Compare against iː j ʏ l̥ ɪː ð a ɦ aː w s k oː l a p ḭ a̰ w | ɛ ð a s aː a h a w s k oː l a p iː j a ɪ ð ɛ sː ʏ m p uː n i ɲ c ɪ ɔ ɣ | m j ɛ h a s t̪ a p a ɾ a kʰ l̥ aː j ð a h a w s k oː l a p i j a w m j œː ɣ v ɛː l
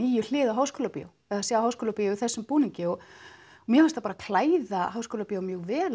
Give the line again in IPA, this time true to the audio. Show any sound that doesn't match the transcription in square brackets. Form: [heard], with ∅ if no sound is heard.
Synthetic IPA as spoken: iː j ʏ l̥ ɪː ð a ɦ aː w s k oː l a p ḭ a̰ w | ɛ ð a s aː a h a w s k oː l a p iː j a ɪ [θ] ɛ sː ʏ m p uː n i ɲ c ɪ ɔ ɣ | m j ɛ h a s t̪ a p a ɾ a kʰ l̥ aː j ð a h a w s k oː l a p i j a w m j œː ɣ v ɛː l